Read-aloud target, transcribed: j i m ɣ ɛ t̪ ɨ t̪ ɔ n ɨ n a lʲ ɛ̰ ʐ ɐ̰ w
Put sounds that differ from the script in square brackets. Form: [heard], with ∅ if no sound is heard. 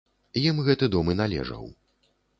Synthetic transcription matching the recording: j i m ɣ ɛ t̪ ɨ [d̪] ɔ [m] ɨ n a lʲ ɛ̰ ʐ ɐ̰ w